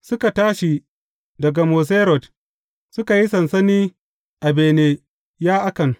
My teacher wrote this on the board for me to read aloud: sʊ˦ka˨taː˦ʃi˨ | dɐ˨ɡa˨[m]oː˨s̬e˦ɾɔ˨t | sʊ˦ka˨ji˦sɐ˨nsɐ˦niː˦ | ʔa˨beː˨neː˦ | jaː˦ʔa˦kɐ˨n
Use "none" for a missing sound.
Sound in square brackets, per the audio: m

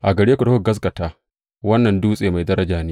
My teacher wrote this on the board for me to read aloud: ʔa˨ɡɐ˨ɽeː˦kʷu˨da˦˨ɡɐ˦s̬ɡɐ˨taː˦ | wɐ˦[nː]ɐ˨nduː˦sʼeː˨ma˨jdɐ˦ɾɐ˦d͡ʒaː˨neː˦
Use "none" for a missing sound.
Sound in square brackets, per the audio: nː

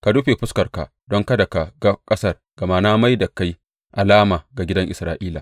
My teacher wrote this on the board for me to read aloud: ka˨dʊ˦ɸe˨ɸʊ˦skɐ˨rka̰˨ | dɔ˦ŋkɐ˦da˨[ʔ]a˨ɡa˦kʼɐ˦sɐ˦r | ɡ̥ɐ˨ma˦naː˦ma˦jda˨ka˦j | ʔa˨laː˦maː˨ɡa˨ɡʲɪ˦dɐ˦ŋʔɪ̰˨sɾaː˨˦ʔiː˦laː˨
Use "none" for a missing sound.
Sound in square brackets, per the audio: k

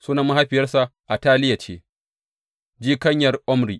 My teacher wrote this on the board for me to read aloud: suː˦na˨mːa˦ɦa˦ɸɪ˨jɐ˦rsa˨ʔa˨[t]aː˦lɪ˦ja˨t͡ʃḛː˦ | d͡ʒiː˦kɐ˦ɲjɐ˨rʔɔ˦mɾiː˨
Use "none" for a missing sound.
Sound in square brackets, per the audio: t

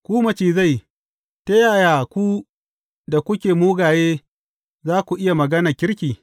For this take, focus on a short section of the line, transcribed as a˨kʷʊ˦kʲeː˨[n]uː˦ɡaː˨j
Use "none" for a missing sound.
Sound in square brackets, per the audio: m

